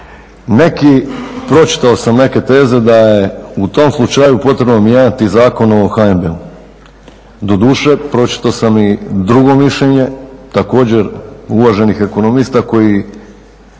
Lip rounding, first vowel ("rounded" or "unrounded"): unrounded